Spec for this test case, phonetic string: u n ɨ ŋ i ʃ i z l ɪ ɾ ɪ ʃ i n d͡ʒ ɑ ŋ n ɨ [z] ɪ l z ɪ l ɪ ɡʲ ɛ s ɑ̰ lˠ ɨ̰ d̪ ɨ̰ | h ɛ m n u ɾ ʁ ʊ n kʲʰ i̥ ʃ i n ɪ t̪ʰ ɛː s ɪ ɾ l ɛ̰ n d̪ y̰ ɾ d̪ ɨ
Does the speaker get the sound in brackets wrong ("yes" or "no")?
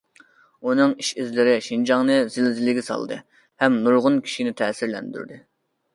no